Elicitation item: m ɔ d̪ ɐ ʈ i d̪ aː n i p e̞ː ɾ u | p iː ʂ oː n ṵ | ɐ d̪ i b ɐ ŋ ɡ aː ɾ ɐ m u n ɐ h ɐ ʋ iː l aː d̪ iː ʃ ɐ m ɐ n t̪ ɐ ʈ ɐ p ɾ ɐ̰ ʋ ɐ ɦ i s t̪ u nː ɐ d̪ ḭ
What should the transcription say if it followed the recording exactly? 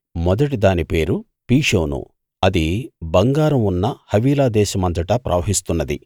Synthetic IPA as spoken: m ɔ d̪ ɐ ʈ i d̪ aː n i p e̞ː ɾ u | p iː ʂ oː n ṵ | ɐ d̪ i b ɐ ŋ ɡ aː ɾ ɐ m u nː ɐ h ɐ ʋ iː l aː d̪ ɛː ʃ ɐ m ɐ n t̪ ɐ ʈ ɐ p ɾ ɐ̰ ʋ ɐ ɦ i s t̪ u nː ɐ d̪ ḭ

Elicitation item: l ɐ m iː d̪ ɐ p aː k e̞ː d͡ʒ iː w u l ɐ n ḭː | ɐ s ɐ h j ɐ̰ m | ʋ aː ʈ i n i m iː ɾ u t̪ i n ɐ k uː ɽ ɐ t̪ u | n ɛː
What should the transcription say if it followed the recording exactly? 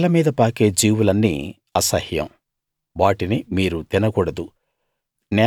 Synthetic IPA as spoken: l ɐ m iː d̪ ɐ p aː k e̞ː d͡ʒ iː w u l ɐ nː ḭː | ɐ s ɐ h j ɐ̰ m | ʋ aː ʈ i n i m iː ɾ u t̪ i n ɐ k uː ɽ ɐ d̪ u | n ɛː

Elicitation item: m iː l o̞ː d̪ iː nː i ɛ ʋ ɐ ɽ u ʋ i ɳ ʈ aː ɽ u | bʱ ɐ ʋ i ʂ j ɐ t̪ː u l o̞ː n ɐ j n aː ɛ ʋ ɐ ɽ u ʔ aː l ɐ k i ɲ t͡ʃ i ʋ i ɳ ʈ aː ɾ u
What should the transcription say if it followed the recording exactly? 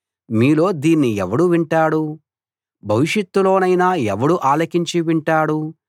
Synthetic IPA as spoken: m iː l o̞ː d̪ iː nː i ɛ ʋ ɐ ɽ u ʋ i ɳ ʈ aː ɽ u | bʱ ɐ ʋ i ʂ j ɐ t̪ː u l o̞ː n ɐ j n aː ɛ ʋ ɐ ɽ u ʔ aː l ɐ k i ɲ t͡ʃ i ʋ i ɳ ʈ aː ɽ u

